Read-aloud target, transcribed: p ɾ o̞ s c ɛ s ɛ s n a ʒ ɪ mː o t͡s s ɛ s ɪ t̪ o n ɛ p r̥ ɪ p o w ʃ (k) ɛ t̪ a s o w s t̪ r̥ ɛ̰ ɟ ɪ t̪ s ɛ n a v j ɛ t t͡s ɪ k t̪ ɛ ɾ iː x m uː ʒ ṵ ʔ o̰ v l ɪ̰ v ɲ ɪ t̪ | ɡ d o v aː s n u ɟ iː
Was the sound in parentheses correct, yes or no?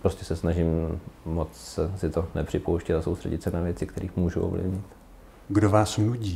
no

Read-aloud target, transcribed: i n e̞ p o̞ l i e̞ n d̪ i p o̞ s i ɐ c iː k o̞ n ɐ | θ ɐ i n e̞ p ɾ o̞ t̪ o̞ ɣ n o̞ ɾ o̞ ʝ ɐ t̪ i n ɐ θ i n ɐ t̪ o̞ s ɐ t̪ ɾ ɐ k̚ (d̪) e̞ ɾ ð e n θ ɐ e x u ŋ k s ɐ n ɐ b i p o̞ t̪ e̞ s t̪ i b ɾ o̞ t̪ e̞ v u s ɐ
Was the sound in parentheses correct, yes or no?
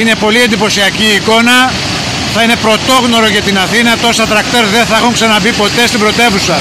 no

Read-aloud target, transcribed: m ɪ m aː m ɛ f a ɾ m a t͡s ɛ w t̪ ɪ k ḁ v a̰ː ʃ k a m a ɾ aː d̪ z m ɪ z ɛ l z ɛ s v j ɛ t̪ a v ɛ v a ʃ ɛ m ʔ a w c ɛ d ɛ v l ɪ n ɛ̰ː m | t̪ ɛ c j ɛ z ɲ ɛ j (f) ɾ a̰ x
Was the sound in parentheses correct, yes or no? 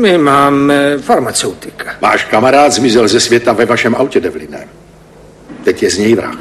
no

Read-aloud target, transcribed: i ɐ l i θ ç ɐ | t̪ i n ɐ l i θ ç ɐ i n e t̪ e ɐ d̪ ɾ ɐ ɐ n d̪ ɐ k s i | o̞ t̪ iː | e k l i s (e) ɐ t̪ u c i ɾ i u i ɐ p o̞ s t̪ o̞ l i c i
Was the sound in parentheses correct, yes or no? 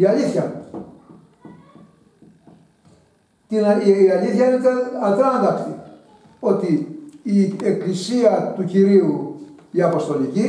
no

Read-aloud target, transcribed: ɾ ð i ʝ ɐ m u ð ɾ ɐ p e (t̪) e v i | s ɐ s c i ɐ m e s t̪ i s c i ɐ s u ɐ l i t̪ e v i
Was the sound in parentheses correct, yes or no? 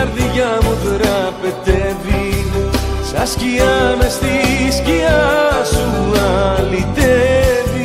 yes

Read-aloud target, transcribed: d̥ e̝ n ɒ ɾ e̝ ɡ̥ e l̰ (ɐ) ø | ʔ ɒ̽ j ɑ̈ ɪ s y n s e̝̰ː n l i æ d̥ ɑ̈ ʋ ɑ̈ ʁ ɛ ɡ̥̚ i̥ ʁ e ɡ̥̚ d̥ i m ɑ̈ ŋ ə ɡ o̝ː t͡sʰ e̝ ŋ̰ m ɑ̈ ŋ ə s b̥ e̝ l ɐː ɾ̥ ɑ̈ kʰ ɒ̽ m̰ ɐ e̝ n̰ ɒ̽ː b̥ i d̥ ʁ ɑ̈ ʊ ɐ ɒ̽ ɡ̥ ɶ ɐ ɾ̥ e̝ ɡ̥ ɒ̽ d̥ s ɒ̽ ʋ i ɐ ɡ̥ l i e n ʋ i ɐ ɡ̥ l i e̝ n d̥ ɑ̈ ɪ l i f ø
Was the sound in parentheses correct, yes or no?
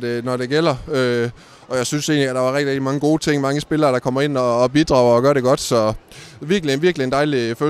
yes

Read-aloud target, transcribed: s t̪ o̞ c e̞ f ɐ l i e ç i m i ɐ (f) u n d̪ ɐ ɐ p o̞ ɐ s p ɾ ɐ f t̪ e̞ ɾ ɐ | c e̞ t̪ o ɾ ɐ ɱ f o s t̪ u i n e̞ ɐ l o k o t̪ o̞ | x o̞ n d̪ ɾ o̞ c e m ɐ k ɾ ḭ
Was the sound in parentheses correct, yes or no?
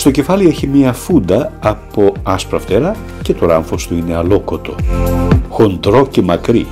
yes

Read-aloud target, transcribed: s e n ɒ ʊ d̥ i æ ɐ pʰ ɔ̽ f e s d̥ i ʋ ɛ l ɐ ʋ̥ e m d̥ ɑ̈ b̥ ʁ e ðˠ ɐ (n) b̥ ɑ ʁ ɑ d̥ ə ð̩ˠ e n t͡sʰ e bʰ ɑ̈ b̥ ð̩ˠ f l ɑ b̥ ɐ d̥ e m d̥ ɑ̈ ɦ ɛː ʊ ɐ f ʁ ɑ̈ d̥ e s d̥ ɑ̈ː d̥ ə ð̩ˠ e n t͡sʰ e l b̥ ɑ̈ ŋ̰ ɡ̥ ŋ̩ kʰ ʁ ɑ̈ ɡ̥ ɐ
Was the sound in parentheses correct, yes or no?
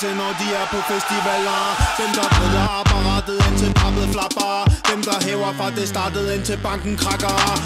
no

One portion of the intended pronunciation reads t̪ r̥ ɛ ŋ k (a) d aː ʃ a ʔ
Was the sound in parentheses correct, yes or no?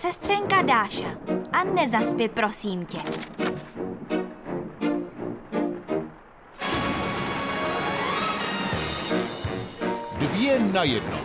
yes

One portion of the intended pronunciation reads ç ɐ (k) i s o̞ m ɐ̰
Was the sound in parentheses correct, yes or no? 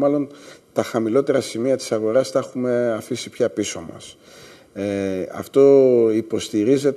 no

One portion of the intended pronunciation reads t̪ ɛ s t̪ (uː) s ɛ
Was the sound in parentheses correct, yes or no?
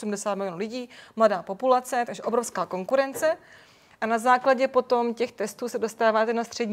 yes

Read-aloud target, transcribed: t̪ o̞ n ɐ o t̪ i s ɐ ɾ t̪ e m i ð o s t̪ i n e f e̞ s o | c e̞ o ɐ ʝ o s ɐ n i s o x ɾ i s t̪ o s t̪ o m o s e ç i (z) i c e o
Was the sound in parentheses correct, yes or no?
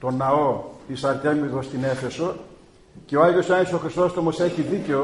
no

